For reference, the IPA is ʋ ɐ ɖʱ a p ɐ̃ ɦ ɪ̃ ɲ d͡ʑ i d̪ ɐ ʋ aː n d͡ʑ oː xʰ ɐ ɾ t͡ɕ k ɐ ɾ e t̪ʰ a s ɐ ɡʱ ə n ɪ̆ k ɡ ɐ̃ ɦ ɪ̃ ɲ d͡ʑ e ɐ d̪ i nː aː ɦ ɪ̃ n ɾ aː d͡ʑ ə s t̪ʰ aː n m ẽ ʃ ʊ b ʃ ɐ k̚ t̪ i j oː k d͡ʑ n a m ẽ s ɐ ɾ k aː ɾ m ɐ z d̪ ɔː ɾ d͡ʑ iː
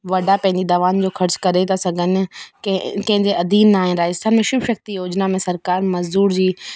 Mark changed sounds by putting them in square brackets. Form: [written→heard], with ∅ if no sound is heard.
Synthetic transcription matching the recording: ʋ ɐ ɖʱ a p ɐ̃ ɦ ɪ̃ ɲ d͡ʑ i d̪ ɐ ʋ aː n d͡ʑ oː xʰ ɐ ɾ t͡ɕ k ɐ ɾ e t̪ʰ a s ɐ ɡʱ ə n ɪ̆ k [ɡ→k] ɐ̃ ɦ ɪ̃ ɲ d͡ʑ e ɐ d̪ [i→iː] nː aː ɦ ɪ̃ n ɾ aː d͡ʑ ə s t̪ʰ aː n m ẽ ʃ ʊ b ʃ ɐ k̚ t̪ i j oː [k→∅] d͡ʑ n a m ẽ s ɐ ɾ k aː ɾ m ɐ z d̪ [ɔː→uː] ɾ d͡ʑ iː